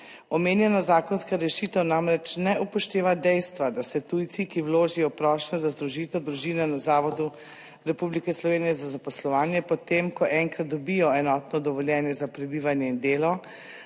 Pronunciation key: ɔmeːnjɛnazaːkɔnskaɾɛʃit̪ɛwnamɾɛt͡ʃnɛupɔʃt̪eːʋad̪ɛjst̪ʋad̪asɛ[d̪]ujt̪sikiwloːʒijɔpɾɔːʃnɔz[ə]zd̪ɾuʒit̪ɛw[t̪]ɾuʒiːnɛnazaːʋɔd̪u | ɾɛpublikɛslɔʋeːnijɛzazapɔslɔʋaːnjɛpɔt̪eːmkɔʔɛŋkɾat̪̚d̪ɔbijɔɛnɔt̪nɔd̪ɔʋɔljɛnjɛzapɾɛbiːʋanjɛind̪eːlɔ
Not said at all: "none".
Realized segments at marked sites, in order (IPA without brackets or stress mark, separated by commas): t̪, a, d̪